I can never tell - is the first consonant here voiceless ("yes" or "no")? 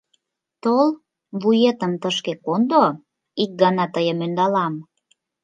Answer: yes